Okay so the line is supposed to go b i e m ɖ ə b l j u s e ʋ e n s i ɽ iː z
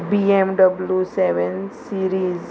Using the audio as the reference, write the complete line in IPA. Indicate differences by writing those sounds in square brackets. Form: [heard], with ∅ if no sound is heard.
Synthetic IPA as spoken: b i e m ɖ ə b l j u s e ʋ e n s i [ɾ] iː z